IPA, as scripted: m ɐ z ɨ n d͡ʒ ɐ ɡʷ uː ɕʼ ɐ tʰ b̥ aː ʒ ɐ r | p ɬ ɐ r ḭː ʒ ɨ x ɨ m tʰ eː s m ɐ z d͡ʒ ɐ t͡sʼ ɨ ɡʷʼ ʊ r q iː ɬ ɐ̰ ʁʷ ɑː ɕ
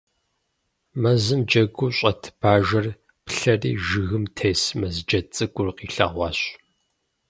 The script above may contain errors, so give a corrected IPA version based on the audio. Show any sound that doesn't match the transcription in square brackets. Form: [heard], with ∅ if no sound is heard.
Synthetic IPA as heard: m ɐ z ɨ [m] d͡ʒ ɐ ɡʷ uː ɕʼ ɐ tʰ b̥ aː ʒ ɐ r | p ɬ ɐ r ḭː ʒ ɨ [ɣ] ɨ m tʰ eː s m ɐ z d͡ʒ ɐ t͡sʼ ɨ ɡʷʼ ʊ r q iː ɬ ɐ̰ ʁʷ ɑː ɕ